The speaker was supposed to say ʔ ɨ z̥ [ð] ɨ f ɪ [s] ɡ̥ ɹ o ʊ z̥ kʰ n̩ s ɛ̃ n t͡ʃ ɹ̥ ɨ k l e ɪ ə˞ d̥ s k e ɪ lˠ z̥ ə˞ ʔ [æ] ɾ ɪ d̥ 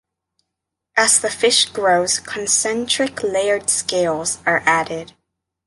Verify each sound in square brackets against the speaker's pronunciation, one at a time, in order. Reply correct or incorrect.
correct, incorrect: ʃ, correct

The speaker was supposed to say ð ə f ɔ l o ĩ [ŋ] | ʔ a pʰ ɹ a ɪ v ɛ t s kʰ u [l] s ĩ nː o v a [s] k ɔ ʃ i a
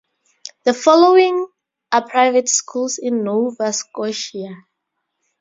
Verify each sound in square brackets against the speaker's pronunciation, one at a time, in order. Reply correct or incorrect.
correct, correct, correct

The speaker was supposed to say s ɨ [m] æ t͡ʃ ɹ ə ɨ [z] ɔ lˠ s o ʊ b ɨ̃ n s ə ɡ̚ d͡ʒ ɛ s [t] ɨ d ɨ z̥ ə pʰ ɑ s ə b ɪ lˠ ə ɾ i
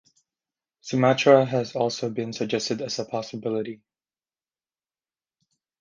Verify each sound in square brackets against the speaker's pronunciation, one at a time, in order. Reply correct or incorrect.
correct, correct, correct

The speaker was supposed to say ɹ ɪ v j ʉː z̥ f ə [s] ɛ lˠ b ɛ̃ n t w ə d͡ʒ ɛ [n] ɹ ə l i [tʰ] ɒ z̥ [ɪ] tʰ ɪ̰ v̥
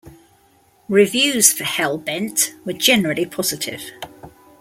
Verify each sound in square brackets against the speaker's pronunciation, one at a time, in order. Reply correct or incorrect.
incorrect: h, correct, incorrect: pʰ, correct

